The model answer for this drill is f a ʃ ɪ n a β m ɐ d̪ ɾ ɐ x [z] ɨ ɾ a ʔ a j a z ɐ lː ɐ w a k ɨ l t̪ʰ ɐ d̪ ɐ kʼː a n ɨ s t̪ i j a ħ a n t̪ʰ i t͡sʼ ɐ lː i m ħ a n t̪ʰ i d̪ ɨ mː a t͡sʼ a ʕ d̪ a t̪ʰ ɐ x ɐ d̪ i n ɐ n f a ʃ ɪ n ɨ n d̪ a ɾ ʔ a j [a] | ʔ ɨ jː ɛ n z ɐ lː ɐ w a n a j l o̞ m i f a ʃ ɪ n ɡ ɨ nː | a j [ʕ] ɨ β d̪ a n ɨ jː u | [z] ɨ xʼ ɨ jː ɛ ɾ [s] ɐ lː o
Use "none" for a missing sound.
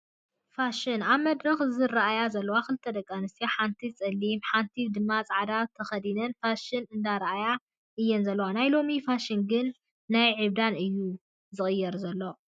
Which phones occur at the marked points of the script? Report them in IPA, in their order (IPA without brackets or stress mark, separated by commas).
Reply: z, a, ʕ, z, z